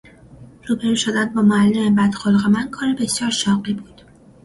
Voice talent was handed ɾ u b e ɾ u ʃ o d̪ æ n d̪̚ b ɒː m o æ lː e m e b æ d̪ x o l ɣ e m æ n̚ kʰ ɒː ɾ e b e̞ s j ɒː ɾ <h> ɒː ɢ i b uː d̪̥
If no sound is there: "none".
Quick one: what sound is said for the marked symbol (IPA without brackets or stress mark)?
ʃ